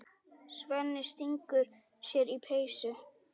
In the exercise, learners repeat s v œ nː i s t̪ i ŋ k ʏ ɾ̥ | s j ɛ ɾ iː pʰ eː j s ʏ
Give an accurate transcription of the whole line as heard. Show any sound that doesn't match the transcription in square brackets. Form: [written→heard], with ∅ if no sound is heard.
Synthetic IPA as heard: s v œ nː [i→ɪ] s t̪ i ŋ k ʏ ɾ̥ | s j ɛ ɾ [iː→i] pʰ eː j s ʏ